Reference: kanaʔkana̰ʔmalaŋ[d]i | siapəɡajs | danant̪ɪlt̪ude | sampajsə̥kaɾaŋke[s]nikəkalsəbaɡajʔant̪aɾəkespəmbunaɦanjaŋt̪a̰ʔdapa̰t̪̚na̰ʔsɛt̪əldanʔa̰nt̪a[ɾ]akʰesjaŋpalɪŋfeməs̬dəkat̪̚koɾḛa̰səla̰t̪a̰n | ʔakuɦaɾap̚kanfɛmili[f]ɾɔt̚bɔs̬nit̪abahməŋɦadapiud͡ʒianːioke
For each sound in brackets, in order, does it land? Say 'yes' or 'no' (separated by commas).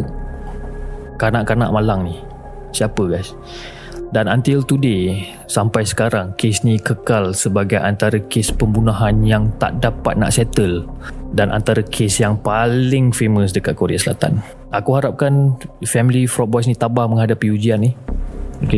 no, yes, yes, yes